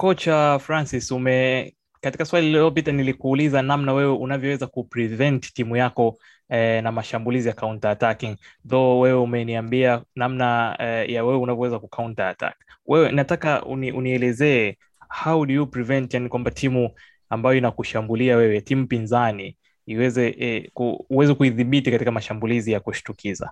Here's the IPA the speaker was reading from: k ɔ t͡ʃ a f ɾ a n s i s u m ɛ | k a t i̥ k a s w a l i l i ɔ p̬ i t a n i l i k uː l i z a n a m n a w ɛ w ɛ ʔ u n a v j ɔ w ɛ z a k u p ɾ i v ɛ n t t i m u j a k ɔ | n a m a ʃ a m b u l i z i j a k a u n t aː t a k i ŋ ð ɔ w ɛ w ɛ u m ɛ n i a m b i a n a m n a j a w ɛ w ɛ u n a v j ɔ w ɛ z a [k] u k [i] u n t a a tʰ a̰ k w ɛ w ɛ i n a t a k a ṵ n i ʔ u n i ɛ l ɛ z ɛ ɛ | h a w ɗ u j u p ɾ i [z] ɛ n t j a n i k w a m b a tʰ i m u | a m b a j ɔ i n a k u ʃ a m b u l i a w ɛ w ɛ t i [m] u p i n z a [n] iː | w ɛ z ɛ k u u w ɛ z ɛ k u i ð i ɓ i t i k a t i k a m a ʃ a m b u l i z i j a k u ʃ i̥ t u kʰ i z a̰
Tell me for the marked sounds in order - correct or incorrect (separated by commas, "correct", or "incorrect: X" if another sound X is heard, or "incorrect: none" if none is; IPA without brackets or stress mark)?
correct, incorrect: a, incorrect: v, correct, correct